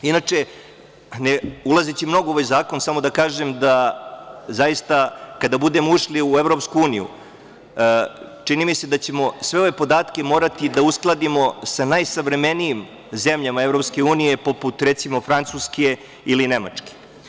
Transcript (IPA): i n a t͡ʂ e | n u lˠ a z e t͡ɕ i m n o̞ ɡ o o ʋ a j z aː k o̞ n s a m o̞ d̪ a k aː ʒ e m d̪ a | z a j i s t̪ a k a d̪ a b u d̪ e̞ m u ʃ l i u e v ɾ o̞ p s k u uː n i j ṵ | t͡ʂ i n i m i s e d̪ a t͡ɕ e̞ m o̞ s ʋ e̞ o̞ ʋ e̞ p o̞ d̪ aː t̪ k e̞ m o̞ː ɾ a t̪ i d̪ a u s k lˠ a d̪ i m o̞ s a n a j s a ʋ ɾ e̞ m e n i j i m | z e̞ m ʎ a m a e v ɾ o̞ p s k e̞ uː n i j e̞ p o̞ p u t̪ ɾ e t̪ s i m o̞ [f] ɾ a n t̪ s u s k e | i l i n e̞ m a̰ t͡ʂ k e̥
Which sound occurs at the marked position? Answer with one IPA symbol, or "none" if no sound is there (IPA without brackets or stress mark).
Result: f